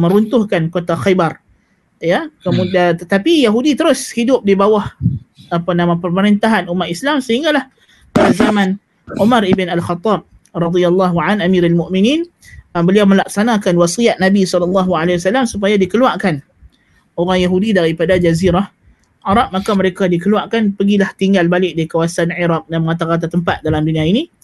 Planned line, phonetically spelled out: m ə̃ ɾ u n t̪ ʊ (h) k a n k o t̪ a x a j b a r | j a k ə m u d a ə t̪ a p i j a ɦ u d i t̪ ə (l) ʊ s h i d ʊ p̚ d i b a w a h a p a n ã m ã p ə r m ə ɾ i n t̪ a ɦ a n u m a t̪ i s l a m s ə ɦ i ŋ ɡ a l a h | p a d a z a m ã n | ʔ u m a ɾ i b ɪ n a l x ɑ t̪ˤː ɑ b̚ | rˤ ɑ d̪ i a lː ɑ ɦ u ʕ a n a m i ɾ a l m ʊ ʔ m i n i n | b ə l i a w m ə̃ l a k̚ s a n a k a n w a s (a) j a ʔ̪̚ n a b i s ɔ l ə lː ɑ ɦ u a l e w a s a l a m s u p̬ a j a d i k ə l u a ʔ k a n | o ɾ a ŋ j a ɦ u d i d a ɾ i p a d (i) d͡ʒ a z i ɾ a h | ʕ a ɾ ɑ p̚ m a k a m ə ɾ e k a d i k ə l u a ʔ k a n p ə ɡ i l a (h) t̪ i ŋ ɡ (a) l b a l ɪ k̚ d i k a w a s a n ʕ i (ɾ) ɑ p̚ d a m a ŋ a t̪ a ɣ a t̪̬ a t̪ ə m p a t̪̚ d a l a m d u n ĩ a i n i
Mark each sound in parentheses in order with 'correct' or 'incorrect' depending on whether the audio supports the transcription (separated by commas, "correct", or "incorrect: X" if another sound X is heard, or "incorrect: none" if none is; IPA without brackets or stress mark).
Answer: correct, incorrect: ɾ, incorrect: i, incorrect: a, correct, correct, correct